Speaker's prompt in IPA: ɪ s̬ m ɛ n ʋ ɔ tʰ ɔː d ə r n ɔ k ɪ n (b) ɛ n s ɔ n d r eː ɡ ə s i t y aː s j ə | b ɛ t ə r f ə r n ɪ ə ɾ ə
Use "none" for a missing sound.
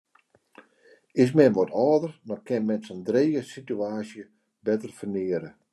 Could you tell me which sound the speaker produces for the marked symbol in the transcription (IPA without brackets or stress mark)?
m